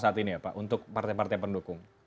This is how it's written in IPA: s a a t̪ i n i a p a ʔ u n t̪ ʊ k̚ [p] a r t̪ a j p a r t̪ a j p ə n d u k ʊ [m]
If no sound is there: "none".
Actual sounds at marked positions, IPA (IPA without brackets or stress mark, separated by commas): p, ŋ